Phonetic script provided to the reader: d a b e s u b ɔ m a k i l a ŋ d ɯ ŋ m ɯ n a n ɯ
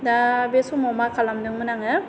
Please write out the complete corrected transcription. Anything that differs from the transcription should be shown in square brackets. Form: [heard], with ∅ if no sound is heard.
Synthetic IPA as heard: d a b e s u [m] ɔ m a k [a] l a [m] d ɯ ŋ m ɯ n a [ŋ] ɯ